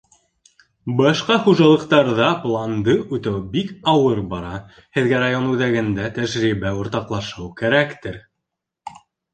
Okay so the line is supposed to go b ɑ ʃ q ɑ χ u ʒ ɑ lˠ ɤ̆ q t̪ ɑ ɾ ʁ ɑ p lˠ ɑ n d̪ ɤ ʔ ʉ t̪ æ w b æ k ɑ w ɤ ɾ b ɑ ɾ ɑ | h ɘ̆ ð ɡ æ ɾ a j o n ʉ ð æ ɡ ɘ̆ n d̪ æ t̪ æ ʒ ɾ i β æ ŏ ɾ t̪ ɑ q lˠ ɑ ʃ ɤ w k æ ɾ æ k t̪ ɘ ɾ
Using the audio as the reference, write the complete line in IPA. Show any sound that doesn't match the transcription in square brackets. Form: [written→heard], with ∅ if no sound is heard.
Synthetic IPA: b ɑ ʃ q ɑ χ u ʒ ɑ lˠ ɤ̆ q t̪ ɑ ɾ [ʁ→ð] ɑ p lˠ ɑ n d̪ ɤ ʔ ʉ t̪ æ w b [æ→i] k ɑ w ɤ ɾ b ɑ ɾ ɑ | h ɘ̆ ð ɡ æ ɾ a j o n ʉ ð æ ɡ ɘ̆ n d̪ æ t̪ æ ʒ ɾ i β æ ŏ ɾ t̪ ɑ q lˠ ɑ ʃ ɤ w k æ ɾ æ k t̪ ɘ ɾ